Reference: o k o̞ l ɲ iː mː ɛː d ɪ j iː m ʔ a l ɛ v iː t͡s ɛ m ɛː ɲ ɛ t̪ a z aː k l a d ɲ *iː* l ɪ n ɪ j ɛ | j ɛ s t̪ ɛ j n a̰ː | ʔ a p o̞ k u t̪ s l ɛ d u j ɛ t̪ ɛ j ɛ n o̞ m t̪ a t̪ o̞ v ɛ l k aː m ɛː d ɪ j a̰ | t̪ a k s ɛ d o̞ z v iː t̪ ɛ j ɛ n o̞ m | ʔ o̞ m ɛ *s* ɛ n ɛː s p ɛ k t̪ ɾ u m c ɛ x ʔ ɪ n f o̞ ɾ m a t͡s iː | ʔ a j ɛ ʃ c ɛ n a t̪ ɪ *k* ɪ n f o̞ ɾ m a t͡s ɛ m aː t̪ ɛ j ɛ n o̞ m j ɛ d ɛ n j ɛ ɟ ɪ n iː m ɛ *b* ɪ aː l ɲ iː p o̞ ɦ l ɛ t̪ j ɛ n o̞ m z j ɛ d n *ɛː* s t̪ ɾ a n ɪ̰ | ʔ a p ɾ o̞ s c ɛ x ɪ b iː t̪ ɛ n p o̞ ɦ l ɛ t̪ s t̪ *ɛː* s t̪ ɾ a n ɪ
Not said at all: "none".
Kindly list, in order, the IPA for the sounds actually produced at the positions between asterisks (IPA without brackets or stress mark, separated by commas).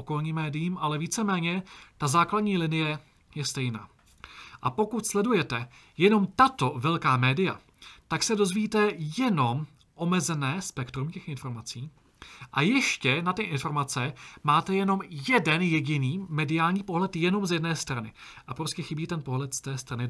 iː, z, ʔ, d, ɛː, ɛː